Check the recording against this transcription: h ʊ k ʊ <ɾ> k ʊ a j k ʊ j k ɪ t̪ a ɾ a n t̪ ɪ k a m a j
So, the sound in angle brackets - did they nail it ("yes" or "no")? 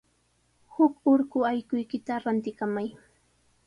yes